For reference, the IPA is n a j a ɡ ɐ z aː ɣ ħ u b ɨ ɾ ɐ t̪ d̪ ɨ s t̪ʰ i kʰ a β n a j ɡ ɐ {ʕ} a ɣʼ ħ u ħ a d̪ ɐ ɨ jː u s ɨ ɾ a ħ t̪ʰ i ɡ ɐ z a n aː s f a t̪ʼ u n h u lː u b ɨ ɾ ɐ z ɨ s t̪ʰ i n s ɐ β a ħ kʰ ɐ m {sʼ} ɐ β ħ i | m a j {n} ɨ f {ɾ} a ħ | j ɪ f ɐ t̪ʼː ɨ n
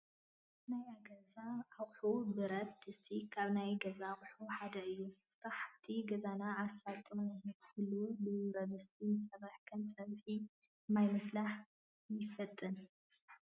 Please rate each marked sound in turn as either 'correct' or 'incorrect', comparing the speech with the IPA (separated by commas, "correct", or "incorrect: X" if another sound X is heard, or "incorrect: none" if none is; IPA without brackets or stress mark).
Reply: incorrect: z, correct, incorrect: m, incorrect: l